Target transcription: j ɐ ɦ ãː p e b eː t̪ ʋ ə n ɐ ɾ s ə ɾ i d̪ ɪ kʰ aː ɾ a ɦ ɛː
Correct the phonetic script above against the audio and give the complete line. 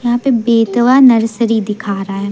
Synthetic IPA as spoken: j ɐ ɦ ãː p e b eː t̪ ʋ a n ɐ ɾ s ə ɾ i d̪ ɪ kʰ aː ɾ a ɦ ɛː